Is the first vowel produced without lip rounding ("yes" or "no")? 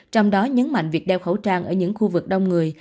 no